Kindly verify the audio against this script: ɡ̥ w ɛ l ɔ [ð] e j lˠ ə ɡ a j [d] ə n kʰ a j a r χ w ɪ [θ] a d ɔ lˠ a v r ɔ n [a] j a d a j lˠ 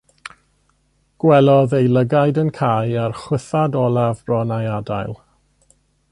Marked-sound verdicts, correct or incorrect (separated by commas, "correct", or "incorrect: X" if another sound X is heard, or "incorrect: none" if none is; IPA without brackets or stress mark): correct, correct, correct, correct